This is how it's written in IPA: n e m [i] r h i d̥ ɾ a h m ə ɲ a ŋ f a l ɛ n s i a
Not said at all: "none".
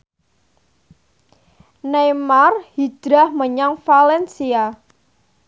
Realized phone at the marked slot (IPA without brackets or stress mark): a